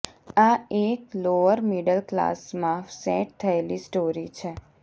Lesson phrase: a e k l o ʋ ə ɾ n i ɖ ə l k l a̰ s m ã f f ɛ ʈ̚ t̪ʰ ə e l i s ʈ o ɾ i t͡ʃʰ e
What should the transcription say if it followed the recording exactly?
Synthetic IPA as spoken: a e k l o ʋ ə ɾ m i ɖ ə l k l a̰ s m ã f s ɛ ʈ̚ t̪ʰ ə e l i s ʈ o ɾ i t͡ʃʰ e